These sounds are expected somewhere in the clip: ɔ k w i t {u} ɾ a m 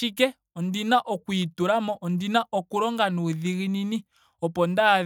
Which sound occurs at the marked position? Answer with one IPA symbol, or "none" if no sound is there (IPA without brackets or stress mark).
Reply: u